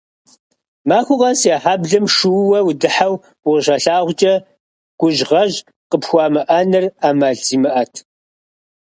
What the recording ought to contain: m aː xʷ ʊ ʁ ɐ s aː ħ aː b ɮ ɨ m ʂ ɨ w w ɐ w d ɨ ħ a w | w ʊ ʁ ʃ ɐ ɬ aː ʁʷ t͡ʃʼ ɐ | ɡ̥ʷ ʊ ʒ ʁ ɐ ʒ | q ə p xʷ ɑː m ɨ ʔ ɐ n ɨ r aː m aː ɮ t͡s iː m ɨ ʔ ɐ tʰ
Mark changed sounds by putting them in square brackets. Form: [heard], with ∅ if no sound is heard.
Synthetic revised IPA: m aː xʷ ʊ ʁ ɐ s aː ħ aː b ɮ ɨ m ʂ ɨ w w ɐ w d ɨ ħ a w | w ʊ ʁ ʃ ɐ ɬ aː ʁʷ t͡ʃʼ ɐ | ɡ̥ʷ ʊ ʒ ʁ ɐ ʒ | q ə p xʷ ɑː m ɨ ʔ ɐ n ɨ r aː m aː ɮ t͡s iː m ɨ ʔ ɐ tʰ